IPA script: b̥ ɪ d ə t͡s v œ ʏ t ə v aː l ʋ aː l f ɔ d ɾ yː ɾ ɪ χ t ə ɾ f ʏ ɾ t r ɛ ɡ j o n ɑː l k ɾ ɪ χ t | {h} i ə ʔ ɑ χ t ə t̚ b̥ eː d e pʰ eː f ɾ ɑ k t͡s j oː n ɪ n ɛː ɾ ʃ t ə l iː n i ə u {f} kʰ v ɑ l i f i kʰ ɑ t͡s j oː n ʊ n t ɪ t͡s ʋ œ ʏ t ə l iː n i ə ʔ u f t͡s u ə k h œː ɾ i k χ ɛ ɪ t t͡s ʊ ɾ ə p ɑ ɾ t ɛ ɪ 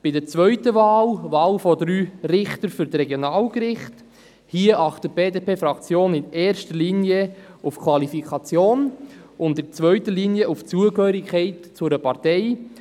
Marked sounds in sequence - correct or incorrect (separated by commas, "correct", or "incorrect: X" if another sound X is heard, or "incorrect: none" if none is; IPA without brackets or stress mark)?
correct, correct